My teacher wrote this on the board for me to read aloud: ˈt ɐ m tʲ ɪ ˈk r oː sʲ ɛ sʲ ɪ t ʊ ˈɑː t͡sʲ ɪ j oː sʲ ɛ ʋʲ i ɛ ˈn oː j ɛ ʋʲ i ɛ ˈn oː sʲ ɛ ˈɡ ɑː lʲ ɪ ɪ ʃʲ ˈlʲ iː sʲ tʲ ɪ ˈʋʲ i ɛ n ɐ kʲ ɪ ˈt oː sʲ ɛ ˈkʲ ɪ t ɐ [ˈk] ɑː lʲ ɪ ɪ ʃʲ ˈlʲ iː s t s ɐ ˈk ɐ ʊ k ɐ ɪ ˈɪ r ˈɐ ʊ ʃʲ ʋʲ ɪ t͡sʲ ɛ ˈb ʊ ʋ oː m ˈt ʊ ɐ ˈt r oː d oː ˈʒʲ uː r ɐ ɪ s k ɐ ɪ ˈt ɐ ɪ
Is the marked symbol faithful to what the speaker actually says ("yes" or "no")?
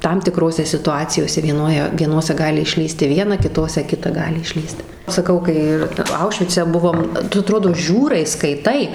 no